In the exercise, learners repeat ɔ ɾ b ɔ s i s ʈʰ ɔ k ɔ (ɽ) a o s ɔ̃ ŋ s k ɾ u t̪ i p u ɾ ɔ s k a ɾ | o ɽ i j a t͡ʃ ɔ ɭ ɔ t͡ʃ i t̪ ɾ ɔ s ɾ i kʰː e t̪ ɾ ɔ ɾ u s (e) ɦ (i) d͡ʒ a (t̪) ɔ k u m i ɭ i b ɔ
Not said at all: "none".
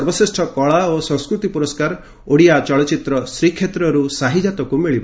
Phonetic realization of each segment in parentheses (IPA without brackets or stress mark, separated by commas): ɭ, a, i, t̪